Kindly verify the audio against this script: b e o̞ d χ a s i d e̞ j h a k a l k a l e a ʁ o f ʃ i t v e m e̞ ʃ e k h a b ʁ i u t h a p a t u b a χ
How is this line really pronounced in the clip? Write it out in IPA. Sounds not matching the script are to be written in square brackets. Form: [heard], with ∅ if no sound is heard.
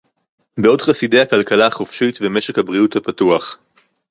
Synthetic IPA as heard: b e o̞ d χ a s i d e̞ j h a k a l k a l [a] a [χ] o f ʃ i t v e m e̞ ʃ e k h a b ʁ i u t h a p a t u [∅] a χ

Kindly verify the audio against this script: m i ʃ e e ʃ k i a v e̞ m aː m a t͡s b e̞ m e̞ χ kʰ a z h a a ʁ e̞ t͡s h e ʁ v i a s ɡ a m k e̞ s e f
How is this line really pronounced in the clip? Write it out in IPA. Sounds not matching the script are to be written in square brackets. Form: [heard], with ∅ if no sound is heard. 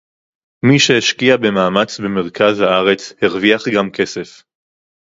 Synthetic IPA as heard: m i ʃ e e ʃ k i a [b] e̞ m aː m a t͡s b e̞ m e̞ [ʁ] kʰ a z h a a ʁ e̞ t͡s h e ʁ v i a [χ] ɡ a m k e̞ s e f

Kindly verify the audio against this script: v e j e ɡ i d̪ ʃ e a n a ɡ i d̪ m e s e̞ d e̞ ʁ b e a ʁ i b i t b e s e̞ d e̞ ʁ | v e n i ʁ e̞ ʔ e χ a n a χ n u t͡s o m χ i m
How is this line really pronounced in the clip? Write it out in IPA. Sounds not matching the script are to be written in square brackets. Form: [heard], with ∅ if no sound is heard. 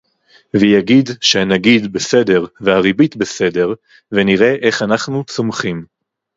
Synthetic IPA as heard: v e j [a] ɡ i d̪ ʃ e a n a ɡ i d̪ [b] e s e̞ d e̞ ʁ [v] e a ʁ i b i t b e s e̞ d e̞ ʁ | v e n i ʁ e̞ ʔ e χ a n a χ n u t͡s o m χ i m

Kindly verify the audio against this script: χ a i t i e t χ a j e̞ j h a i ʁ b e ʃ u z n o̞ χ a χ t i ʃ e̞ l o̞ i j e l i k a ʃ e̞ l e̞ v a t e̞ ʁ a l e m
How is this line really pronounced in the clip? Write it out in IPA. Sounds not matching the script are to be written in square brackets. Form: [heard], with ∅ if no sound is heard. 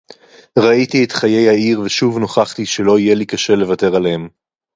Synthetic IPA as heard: [ʁ] a i t i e t χ a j e̞ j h a i ʁ [v] e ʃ u [v] n o̞ χ a χ t i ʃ e̞ l o̞ i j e l i k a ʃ e̞ l e̞ v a t e̞ ʁ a l e m

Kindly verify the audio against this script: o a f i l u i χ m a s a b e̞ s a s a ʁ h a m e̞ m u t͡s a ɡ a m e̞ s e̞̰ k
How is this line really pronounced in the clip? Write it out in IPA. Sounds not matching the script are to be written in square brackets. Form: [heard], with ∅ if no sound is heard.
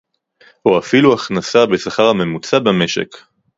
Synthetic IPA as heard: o a f i l u [a] χ [n] a s a b e̞ s a [χ] a ʁ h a m e̞ m u t͡s a [b] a m e̞ [ʃ] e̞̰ k

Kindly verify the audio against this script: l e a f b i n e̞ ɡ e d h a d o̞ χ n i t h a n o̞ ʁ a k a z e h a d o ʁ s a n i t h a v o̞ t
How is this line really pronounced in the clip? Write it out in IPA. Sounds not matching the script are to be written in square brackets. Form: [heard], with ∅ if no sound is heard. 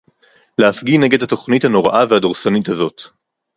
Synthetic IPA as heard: l e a f [ɡ] i n e̞ ɡ e d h a [t] o̞ χ n i t h a n o̞ ʁ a [ʔ] a [v] e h a d o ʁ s a n i t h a [z] o̞ t

